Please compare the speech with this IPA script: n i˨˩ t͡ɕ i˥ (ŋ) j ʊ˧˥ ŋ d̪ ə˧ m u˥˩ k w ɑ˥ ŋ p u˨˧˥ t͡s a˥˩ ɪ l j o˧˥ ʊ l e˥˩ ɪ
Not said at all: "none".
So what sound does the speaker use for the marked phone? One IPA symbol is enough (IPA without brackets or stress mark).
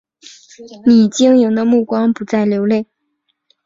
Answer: ŋ